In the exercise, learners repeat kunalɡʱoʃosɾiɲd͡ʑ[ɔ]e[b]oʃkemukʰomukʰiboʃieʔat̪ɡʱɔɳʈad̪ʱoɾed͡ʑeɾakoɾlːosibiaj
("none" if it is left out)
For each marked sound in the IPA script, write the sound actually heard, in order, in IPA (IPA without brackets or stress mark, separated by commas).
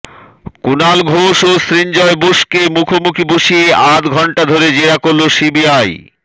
ɔ, b